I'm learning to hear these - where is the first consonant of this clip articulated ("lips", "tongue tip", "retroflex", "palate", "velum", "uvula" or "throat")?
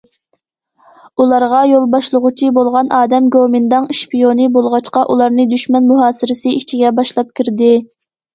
tongue tip